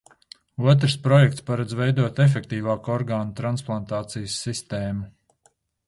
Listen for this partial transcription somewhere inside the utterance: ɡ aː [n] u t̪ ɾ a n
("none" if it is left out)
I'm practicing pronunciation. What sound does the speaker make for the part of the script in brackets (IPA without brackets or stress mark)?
n